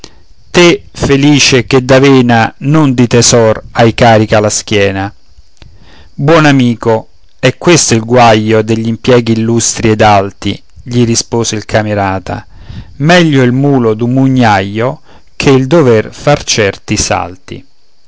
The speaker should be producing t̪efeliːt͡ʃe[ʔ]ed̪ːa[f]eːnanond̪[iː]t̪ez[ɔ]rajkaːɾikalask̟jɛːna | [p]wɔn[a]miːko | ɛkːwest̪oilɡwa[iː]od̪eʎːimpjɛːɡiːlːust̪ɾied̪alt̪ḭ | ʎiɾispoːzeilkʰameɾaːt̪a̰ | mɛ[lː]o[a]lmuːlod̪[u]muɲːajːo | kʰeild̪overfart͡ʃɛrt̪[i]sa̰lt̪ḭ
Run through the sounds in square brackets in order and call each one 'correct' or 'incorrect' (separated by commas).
incorrect, incorrect, incorrect, correct, incorrect, correct, incorrect, incorrect, incorrect, correct, correct